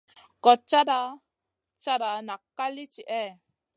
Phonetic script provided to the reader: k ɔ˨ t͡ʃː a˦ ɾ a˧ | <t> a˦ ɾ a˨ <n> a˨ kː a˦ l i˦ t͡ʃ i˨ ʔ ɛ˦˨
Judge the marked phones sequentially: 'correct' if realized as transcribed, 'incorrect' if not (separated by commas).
incorrect, correct